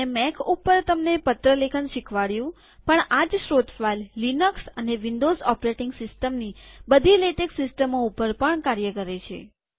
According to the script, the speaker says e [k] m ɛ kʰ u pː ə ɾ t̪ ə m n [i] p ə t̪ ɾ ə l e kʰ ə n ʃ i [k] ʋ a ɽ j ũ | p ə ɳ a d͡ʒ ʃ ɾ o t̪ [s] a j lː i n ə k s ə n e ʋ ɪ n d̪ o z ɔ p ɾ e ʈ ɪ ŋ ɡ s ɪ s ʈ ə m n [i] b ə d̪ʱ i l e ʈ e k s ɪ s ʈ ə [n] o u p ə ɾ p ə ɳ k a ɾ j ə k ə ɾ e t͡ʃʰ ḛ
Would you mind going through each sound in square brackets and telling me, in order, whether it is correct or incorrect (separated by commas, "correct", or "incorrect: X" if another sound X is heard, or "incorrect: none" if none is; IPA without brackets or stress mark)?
incorrect: none, incorrect: e, incorrect: kʰ, incorrect: f, correct, incorrect: m